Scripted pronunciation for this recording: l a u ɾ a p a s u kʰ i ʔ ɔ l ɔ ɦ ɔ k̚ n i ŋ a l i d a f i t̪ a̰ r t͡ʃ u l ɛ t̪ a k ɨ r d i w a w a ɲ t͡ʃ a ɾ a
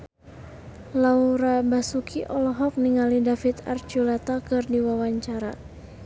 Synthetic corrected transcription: l a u ɾ a b a s u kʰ i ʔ ɔ l ɔ ɦ ɔ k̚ n i ŋ a l i d a f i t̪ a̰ r t͡ʃ u l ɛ t̪ a k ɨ r d i w a w a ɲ t͡ʃ a ɾ a

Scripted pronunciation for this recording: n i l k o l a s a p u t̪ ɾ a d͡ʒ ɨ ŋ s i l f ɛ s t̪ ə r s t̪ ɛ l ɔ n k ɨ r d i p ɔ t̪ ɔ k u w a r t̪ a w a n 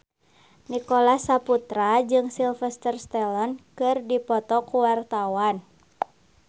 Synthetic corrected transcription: n i k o l a s a p u t̪ ɾ a d͡ʒ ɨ ŋ s i l f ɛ s t̪ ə r s t̪ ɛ l ɔ n k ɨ r d i p ɔ t̪ ɔ k u w a r t̪ a w a n

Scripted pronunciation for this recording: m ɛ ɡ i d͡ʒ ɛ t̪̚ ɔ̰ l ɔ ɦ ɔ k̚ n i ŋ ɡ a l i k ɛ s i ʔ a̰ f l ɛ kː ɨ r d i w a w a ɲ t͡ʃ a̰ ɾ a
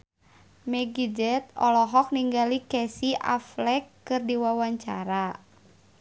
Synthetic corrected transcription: m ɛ ɡ i d͡ʒ ɛ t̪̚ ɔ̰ l ɔ ɦ ɔ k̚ n i ŋ ɡ a l i k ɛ s i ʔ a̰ f l ɛ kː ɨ r d i w a w a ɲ t͡ʃ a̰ ɾ a

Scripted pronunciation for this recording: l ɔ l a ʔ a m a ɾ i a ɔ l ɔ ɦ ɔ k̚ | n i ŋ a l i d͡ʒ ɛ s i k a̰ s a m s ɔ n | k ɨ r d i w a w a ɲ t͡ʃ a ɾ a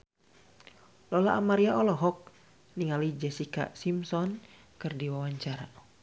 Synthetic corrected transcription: l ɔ l a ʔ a m a ɾ i a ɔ l ɔ ɦ ɔ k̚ | n i ŋ a l i d͡ʒ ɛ s i k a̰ s i m s ɔ n | k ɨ r d i w a w a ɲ t͡ʃ a ɾ a

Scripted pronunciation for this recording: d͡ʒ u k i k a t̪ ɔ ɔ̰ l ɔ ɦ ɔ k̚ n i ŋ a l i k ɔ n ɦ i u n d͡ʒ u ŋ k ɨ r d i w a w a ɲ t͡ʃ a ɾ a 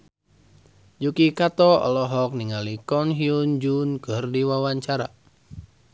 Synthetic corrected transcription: d͡ʒ u k i k a t̪ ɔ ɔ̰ l ɔ ɦ ɔ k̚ n i ŋ a l i k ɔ n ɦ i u n d͡ʒ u n k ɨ r d i w a w a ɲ t͡ʃ a ɾ a

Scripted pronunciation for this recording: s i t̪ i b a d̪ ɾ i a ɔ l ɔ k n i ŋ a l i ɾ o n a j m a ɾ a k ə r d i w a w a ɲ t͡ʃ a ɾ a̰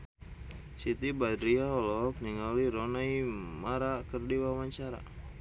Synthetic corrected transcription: s i t̪ i b a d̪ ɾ i a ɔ l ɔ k n i ŋ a l i ɾ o n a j m a ɾ a k ə r d i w a w a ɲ t͡ʃ a ɾ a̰

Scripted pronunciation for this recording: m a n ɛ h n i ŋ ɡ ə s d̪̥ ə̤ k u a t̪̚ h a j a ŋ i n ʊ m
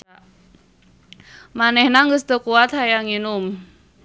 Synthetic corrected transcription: m a n ɛ h n a ŋ ɡ ə s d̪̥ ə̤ k u a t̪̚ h a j a ŋ i n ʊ m

